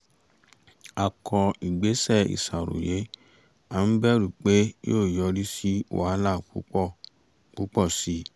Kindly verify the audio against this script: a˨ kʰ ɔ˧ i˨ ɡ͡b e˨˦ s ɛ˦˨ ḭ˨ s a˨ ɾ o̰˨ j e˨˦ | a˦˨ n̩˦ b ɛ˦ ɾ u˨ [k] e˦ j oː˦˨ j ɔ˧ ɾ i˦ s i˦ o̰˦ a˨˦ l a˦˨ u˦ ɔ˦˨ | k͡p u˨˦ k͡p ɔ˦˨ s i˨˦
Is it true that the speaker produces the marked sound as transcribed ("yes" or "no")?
no